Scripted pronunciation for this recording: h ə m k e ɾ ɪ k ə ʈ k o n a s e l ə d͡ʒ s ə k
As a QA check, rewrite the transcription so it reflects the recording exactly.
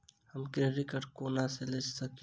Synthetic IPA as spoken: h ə m k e ɾ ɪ k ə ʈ k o n a s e l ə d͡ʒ s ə k